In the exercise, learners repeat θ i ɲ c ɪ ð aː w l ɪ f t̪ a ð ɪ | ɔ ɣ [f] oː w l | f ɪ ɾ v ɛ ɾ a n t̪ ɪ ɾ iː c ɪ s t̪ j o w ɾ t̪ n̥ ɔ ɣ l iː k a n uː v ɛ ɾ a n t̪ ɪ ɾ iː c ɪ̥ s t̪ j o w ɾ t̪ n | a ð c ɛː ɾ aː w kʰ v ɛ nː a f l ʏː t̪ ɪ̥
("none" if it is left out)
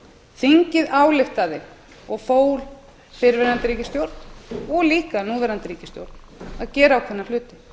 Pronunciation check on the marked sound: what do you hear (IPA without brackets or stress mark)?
f